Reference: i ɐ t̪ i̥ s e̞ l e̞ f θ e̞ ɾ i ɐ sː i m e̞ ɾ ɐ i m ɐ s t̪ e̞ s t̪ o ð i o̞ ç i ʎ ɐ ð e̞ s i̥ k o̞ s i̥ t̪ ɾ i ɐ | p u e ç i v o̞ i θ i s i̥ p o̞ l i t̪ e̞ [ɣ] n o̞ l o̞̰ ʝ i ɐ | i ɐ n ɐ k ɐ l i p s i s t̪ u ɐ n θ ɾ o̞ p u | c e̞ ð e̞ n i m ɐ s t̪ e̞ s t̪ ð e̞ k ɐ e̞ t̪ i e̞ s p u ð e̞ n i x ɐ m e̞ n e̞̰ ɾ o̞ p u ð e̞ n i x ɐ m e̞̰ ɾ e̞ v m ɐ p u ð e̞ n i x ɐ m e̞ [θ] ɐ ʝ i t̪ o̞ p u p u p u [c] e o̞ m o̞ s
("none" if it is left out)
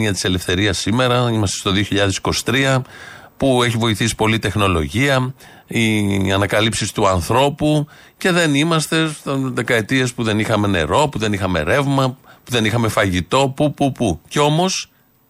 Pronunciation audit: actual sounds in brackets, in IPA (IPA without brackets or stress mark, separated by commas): x, f, c